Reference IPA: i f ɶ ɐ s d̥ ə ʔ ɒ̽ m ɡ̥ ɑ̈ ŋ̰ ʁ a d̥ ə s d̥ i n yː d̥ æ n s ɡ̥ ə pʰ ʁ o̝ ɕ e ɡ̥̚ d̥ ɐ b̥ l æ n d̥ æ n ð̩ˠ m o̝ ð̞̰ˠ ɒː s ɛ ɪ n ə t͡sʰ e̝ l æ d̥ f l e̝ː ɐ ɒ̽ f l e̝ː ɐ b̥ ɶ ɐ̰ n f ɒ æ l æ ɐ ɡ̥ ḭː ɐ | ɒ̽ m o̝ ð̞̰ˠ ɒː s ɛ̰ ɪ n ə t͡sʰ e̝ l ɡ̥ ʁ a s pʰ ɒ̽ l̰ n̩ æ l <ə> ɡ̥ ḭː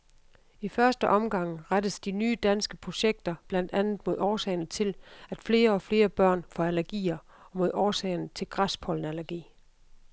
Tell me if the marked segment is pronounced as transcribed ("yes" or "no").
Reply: no